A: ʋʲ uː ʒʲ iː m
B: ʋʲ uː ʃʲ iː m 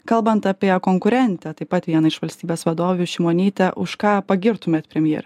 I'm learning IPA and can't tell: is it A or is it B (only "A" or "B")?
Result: B